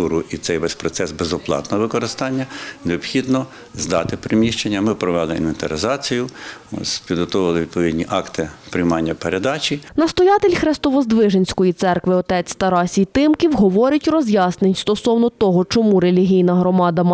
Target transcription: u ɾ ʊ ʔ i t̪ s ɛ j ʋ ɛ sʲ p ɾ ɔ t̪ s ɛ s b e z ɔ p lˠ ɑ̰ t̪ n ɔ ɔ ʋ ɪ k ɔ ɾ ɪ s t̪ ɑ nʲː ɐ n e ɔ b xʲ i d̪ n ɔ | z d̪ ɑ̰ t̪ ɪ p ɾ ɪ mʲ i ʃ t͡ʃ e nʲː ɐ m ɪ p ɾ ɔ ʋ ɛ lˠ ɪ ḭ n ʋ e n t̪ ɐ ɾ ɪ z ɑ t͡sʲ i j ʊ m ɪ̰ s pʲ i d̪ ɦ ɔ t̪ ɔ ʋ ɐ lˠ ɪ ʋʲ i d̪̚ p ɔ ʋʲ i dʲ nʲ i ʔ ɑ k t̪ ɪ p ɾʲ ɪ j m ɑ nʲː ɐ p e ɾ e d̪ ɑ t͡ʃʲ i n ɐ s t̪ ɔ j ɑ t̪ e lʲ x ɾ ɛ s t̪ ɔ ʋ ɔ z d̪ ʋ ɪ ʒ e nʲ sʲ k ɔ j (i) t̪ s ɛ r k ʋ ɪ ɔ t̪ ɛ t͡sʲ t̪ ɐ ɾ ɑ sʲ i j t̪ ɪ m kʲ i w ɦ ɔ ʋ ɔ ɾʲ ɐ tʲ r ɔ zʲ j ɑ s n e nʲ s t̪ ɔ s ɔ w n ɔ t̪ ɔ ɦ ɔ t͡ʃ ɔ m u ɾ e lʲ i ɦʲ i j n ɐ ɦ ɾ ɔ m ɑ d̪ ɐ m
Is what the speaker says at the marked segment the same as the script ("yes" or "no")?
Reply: yes